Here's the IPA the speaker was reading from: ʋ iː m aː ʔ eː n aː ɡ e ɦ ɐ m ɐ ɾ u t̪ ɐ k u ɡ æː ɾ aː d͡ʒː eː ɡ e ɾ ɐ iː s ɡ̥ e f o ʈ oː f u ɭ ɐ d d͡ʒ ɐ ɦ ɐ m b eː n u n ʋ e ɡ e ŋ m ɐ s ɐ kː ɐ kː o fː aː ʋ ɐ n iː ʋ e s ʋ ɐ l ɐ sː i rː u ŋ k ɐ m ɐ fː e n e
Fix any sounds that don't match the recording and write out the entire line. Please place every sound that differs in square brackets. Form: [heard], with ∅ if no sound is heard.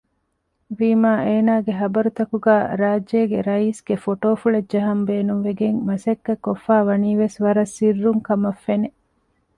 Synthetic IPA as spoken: ʋ iː m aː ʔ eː n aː ɡ e ɦ ɐ [b] ɐ ɾ u t̪ ɐ k u ɡ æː ɾ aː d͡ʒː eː ɡ e ɾ ɐ iː s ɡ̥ e f o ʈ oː f u ɭ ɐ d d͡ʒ ɐ ɦ ɐ m b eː n u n ʋ e ɡ e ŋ m ɐ s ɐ kː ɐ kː o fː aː ʋ ɐ n iː ʋ e s ʋ ɐ [ɾ] ɐ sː i rː u ŋ k ɐ m ɐ fː e n e